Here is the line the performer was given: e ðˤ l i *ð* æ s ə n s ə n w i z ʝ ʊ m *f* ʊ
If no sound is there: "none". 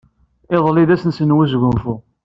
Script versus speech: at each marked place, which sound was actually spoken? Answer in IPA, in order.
ð, f

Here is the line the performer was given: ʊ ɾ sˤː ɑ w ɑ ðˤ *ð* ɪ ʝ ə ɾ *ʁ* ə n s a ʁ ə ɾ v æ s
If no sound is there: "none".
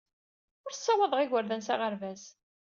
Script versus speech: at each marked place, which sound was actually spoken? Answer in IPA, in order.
ʁ, ð

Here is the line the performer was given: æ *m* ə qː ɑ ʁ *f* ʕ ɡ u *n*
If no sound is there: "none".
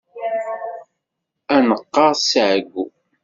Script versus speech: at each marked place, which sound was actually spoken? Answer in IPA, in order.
n, s, none

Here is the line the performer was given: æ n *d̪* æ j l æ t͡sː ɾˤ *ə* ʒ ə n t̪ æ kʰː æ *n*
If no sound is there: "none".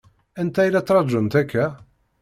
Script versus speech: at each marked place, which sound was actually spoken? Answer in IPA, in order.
t̪, ɑ, none

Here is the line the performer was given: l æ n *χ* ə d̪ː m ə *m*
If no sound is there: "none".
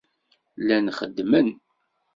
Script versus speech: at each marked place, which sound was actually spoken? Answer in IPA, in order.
χ, n

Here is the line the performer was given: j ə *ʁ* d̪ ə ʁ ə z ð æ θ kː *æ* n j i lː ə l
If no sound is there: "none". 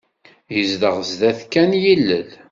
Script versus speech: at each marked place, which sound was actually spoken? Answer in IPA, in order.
z, æ

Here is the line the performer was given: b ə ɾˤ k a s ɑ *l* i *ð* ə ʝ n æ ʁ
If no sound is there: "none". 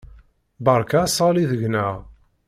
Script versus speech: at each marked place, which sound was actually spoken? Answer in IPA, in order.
l, ð

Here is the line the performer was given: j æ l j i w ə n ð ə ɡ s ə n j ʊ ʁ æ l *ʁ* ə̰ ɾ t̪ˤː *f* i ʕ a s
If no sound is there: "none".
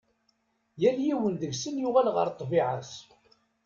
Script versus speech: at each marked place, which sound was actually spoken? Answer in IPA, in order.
ʁ, v

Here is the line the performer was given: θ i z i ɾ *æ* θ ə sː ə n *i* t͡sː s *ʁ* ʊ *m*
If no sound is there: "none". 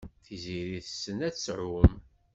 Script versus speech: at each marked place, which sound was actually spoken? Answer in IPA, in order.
i, æ, ʕ, m

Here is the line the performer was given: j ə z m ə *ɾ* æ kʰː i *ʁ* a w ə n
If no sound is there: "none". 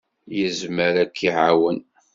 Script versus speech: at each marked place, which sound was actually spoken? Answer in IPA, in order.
ɾ, ʕ

